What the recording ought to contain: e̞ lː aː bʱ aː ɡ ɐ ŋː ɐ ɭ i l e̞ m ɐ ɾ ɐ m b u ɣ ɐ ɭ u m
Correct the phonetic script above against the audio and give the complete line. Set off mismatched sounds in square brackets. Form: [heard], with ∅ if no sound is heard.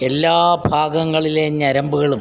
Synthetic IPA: e̞ lː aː bʱ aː ɡ ɐ ŋː ɐ ɭ i l e̞ [ɲ] ɐ ɾ ɐ m b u ɣ ɐ ɭ u m